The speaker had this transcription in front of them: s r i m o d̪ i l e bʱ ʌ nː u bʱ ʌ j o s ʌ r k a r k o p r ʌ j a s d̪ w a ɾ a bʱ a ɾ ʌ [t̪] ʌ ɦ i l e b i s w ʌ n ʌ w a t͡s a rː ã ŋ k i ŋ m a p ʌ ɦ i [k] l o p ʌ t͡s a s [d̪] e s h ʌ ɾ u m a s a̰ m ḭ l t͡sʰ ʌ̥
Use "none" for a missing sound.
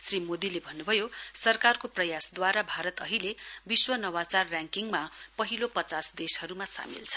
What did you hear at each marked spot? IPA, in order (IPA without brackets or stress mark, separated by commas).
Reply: t̪, none, d̪